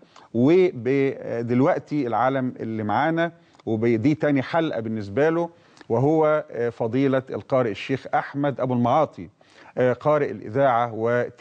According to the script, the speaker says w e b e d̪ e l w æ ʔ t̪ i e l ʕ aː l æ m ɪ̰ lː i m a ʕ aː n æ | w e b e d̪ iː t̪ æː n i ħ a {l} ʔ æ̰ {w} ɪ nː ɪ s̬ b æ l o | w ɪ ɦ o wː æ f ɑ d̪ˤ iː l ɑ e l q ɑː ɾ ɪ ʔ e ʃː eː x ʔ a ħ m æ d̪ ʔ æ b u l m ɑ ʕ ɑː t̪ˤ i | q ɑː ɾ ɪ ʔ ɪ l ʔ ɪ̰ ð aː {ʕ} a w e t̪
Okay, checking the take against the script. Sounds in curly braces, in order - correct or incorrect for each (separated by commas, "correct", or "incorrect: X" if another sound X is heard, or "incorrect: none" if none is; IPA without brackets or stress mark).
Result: correct, incorrect: b, correct